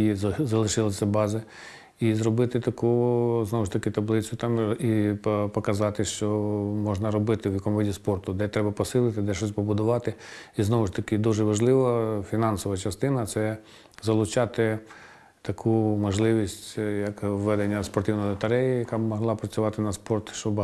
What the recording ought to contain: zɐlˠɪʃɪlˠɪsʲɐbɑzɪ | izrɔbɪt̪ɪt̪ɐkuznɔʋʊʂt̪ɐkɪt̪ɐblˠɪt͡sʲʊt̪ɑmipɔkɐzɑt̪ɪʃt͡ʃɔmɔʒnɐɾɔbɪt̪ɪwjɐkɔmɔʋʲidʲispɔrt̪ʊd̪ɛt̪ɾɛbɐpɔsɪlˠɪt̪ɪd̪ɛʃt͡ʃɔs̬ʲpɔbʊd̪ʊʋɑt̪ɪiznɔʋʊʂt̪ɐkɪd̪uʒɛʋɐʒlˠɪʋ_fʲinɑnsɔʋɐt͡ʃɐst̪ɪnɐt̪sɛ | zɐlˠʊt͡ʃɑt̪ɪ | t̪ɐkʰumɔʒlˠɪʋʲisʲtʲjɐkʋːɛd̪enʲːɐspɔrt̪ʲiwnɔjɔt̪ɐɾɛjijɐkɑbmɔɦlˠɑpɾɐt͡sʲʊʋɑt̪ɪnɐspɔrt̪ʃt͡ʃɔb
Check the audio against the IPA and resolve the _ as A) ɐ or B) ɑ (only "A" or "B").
A